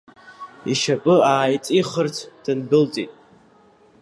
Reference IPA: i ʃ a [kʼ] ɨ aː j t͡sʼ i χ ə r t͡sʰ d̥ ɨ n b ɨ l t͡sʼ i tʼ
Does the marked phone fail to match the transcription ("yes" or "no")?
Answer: yes